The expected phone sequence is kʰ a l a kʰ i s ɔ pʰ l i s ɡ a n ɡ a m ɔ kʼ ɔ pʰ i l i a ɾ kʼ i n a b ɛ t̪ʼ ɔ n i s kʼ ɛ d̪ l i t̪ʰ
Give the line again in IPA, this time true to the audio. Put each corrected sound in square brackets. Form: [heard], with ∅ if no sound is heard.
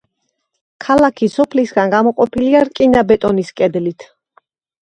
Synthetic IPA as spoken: kʰ a l a kʰ i s ɔ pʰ l i s ɡ a n ɡ a m ɔ [qʼ] ɔ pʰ i l i a ɾ kʼ i n a b ɛ t̪ʼ ɔ n i s kʼ ɛ d̪ l i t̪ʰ